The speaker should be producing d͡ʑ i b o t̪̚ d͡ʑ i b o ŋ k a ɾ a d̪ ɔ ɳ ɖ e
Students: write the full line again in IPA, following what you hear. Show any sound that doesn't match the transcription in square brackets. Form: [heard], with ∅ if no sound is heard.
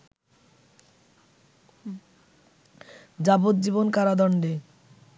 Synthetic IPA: d͡ʑ [a] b o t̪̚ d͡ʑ i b o [n] k a ɾ a d̪ ɔ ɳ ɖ e